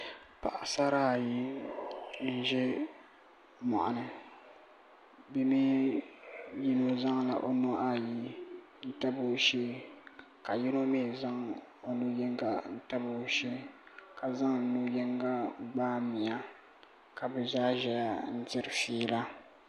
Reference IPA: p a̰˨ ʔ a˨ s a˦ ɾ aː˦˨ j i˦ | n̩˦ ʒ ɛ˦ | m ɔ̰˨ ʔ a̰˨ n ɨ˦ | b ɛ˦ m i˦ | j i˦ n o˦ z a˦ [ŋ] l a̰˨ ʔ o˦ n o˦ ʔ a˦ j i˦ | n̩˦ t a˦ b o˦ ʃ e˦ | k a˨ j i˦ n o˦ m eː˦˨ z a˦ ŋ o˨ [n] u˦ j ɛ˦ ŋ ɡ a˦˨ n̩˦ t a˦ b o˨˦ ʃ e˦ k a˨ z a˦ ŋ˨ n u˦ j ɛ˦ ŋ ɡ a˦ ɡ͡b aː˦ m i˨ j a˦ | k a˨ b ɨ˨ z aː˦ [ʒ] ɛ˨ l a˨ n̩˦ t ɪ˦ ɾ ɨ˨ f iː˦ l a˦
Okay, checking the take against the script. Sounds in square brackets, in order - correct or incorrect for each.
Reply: correct, correct, correct

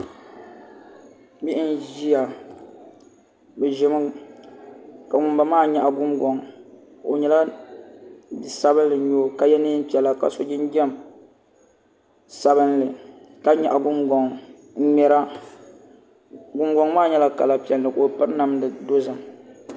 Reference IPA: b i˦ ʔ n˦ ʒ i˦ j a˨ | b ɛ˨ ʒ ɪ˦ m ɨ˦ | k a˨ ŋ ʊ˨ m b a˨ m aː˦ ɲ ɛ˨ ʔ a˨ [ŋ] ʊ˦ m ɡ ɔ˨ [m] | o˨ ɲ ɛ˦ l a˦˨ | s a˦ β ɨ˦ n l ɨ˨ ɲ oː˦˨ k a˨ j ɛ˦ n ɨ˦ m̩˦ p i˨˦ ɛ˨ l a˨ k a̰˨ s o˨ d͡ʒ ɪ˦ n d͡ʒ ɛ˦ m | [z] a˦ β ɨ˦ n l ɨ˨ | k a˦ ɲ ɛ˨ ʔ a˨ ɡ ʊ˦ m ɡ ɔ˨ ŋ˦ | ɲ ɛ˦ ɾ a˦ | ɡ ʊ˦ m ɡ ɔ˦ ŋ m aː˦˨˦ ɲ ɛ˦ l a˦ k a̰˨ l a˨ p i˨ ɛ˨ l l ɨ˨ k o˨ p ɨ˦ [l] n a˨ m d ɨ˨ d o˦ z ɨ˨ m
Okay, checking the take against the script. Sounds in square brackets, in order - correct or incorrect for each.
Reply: incorrect: ɡ, incorrect: ŋ, incorrect: s, incorrect: ɾ

